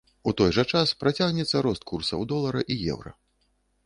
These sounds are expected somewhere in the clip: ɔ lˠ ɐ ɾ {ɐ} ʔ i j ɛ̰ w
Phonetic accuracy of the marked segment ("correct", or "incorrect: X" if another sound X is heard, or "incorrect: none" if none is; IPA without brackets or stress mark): correct